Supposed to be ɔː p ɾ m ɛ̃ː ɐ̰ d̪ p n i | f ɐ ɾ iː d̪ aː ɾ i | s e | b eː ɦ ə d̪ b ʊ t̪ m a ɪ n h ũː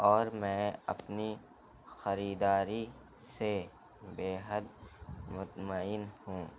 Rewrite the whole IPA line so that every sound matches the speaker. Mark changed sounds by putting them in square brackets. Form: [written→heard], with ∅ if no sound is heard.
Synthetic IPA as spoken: ɔː [p→∅] ɾ m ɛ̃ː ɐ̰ [d̪→∅] p n i | [f→x] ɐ ɾ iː d̪ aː ɾ i | s e | b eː ɦ ə d̪ [b→m] ʊ t̪ m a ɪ n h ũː